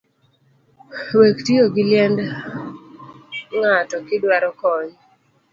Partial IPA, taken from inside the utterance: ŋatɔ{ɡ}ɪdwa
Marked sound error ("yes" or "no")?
yes